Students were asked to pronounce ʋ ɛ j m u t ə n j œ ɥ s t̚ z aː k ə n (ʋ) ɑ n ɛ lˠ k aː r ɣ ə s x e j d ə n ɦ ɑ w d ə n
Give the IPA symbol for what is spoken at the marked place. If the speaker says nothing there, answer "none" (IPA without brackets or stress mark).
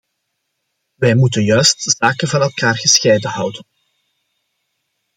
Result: v